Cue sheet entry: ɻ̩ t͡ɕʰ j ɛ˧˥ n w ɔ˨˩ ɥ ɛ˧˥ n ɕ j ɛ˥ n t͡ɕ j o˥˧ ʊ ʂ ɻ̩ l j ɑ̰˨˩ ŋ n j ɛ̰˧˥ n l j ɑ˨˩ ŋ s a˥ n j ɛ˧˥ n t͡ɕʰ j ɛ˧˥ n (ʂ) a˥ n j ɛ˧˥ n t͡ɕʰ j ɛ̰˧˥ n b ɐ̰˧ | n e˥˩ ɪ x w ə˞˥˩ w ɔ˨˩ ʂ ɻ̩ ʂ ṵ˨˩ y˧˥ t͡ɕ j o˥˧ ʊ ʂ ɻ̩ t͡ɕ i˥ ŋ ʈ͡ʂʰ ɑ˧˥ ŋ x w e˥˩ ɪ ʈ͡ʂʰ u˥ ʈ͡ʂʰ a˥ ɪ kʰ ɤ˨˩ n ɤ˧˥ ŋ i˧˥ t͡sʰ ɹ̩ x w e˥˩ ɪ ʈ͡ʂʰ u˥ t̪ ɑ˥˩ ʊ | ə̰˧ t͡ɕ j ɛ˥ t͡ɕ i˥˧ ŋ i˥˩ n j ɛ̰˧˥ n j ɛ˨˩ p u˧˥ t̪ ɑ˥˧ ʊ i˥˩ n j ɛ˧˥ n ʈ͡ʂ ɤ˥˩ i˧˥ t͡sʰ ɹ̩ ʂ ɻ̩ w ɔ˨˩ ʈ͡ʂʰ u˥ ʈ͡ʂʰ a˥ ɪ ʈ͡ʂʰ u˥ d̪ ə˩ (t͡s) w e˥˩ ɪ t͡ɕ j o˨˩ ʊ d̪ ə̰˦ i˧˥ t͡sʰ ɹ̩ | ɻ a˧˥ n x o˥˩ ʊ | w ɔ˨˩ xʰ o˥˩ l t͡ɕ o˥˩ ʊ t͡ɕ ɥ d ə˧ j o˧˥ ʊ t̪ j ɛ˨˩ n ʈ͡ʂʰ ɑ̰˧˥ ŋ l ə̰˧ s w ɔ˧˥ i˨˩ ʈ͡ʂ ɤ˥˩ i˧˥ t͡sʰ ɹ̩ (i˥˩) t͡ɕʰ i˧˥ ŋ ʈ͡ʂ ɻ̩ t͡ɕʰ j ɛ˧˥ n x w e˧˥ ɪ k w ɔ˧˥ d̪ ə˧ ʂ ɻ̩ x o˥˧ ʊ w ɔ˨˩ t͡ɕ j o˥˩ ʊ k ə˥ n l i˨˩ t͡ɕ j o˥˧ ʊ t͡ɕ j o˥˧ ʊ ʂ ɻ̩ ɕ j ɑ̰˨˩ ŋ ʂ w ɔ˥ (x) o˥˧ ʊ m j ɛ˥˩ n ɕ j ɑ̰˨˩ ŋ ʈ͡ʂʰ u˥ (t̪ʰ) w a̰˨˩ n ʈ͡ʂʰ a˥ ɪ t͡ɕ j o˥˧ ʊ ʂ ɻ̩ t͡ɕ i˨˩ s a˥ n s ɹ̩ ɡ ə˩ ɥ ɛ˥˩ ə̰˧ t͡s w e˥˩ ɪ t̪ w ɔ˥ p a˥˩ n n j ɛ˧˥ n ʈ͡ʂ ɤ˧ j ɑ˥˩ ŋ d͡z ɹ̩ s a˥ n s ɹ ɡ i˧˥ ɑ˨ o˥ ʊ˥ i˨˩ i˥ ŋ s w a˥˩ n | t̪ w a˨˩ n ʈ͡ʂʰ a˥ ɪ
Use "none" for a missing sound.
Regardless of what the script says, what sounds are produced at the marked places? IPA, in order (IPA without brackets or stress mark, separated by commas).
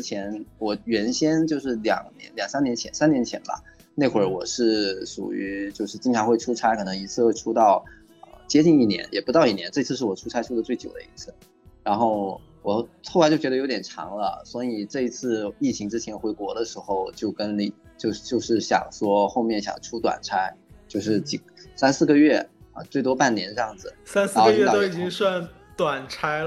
s, t͡s, i˥˩, x, t̪